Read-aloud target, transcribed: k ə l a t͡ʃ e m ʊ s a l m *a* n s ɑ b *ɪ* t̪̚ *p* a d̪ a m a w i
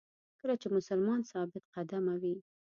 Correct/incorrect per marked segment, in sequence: incorrect, correct, incorrect

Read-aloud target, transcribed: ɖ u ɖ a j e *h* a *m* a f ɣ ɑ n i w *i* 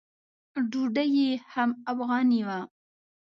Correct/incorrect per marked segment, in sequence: correct, correct, incorrect

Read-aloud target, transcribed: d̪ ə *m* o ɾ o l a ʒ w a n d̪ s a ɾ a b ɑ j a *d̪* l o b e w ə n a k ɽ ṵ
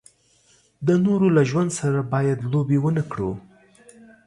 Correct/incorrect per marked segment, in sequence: incorrect, correct

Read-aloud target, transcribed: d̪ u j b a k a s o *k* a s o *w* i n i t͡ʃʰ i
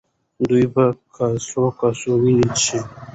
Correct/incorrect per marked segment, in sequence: correct, correct

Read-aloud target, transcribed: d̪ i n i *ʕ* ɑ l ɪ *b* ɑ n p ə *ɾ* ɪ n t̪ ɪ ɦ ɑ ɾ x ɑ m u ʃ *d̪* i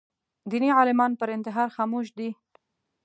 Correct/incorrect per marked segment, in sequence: correct, incorrect, correct, correct

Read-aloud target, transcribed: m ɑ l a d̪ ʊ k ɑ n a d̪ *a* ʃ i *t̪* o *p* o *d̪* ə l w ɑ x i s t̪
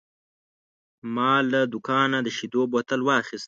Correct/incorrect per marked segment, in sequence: incorrect, incorrect, incorrect, incorrect

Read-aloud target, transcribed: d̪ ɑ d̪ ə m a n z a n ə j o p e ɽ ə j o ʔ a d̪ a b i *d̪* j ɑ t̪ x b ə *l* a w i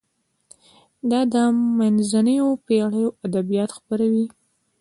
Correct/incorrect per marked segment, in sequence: incorrect, incorrect

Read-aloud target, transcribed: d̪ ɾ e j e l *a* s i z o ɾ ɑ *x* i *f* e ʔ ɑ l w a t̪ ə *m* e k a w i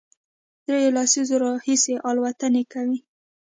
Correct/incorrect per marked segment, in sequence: incorrect, incorrect, incorrect, incorrect

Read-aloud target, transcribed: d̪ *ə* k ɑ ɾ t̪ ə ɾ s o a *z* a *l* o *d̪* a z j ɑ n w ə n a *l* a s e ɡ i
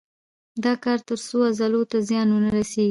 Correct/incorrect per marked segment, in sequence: incorrect, correct, correct, incorrect, incorrect

